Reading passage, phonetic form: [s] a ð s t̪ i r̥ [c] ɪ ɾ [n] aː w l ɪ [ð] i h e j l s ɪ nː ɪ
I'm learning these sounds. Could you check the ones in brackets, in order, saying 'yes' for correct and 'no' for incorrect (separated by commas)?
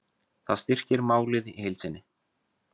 no, yes, no, yes